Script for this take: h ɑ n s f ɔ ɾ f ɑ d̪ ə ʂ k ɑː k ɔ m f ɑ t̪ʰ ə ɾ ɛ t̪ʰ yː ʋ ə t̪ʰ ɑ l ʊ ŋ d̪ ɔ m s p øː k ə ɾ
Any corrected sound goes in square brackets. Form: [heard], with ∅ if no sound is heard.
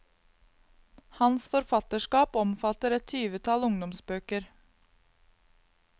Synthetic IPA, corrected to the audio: h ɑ n s f ɔ ɾ f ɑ [t̪] ə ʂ k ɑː [p] ɔ m f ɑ [t̪] ə ɾ ɛ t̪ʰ yː ʋ ə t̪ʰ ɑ l ʊ ŋ d̪ ɔ m s [b] øː k ə ɾ